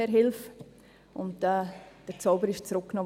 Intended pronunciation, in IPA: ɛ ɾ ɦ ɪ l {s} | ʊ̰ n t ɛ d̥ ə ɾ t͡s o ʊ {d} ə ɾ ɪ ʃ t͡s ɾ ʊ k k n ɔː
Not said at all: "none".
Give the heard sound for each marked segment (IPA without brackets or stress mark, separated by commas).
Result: f, b